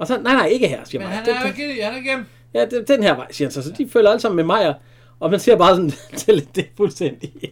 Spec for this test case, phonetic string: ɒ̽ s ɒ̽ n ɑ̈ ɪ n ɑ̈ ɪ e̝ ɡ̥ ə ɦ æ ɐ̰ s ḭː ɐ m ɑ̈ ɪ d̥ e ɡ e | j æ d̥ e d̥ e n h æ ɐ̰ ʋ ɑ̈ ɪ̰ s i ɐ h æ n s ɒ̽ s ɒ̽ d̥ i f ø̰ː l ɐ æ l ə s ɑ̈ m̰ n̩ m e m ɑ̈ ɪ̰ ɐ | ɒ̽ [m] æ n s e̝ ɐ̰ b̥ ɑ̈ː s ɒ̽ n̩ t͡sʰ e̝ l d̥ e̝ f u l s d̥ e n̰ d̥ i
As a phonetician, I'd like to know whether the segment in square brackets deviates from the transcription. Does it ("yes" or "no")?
no